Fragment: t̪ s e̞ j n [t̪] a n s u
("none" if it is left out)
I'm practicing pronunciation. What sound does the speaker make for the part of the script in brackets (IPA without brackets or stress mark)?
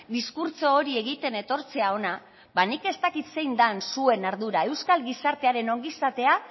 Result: d̪